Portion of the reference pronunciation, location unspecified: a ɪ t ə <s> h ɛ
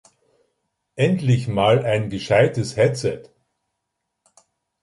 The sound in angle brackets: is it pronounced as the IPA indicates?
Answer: yes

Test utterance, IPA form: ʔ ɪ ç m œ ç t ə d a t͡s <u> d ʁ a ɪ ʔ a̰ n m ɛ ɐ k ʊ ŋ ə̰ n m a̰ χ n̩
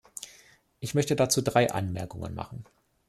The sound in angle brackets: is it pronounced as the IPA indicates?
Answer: no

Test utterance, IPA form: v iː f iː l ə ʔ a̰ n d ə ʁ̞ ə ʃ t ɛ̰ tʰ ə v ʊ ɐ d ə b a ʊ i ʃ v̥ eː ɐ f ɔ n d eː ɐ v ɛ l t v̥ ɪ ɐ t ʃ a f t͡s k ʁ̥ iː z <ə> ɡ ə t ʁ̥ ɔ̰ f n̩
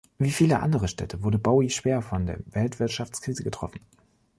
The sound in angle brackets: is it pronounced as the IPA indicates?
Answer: yes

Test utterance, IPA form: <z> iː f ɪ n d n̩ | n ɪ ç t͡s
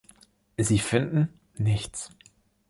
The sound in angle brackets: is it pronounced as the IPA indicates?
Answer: yes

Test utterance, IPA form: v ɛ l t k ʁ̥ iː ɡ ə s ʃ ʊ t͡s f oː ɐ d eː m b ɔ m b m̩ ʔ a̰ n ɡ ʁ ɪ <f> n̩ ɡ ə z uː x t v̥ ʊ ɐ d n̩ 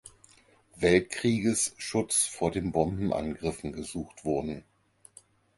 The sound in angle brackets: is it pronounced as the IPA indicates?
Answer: yes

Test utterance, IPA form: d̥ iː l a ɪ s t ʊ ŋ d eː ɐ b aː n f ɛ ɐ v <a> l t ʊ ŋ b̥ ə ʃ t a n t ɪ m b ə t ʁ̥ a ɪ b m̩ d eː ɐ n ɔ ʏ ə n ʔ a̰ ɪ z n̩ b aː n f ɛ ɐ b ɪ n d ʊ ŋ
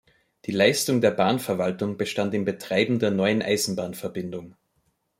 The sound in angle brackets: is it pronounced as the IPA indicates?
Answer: yes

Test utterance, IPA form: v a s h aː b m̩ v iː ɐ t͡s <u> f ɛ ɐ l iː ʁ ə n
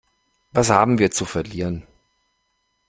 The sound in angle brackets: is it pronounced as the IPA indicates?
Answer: yes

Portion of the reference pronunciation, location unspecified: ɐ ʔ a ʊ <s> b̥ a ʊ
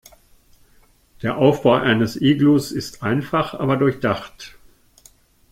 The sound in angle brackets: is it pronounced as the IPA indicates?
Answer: no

